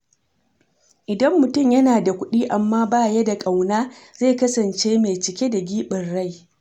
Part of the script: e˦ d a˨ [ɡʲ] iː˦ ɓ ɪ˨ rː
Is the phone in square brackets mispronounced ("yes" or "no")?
no